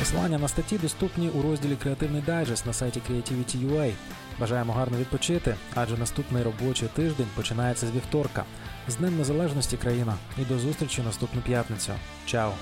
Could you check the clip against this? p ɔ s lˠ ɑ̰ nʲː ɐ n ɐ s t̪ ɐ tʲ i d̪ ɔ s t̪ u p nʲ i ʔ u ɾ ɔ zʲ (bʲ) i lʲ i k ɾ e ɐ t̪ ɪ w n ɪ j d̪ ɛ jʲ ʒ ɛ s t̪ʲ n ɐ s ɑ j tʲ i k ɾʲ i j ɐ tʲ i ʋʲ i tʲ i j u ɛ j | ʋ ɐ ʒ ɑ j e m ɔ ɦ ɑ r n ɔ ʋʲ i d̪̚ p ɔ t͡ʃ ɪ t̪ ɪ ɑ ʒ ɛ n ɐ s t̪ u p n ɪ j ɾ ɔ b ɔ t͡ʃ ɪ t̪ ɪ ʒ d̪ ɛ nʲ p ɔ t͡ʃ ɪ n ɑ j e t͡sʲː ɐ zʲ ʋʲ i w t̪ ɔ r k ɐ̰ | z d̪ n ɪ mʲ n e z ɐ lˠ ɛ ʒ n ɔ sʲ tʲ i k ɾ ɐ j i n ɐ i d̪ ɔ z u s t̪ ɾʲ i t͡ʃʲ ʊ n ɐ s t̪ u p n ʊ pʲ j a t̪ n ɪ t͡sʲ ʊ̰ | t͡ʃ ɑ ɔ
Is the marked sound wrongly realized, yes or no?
yes